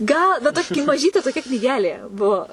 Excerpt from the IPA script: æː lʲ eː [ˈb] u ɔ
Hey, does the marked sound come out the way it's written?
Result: yes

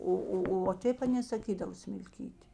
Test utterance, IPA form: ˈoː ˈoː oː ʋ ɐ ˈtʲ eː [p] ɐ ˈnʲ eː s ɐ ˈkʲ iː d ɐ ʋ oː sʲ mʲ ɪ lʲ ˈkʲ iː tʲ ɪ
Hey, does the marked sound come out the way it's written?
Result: yes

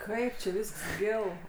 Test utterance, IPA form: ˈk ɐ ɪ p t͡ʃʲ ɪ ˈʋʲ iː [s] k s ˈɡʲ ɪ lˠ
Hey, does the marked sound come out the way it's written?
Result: yes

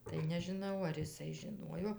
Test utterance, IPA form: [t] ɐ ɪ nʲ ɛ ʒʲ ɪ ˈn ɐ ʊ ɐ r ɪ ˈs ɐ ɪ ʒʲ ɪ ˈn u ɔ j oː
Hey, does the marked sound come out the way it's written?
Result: yes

